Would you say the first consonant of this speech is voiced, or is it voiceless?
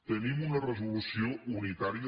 voiceless